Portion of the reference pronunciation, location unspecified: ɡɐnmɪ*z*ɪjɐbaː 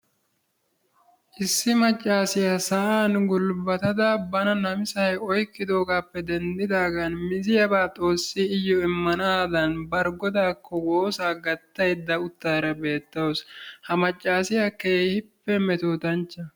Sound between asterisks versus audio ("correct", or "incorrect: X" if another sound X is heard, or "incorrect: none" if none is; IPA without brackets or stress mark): correct